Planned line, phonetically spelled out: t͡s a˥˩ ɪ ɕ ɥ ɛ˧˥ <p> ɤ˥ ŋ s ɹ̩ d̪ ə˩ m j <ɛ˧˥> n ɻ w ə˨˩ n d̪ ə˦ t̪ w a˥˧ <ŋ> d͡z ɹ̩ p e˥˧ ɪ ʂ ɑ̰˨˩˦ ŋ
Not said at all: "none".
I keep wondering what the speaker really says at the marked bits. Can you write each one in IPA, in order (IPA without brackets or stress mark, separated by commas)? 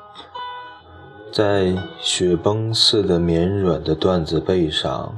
p, ɛ˧˥, n